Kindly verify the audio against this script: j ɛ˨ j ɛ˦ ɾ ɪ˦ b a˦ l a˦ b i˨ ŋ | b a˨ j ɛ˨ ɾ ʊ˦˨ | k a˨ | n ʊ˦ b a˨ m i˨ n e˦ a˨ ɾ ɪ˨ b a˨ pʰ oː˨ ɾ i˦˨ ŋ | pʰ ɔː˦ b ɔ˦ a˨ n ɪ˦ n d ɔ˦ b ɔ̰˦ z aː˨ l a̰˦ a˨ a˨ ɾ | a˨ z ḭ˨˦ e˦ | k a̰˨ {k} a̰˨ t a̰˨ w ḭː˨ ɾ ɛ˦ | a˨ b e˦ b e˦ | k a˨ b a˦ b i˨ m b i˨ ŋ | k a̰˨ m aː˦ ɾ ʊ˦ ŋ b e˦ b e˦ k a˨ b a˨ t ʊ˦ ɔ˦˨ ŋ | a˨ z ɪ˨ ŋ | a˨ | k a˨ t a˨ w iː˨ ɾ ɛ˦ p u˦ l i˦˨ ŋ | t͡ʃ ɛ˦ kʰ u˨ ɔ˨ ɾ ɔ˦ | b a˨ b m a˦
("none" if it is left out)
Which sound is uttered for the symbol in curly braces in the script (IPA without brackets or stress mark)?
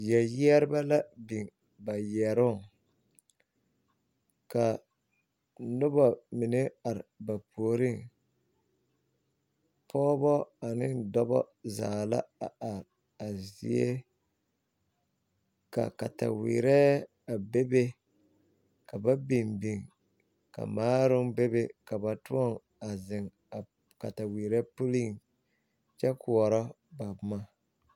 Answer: k